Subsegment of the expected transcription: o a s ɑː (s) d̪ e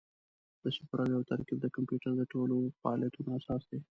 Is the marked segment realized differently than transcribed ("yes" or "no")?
no